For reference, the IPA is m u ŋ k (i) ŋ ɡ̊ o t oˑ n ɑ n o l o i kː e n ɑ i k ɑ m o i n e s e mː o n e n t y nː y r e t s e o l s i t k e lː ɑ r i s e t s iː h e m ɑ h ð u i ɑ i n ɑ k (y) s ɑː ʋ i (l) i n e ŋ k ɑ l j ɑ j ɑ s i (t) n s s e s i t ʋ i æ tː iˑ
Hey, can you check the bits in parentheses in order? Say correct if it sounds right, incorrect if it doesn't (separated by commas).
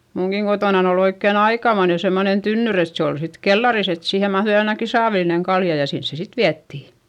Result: correct, incorrect, correct, incorrect